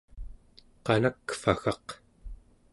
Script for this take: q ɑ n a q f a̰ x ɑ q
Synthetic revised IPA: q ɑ n a k f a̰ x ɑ q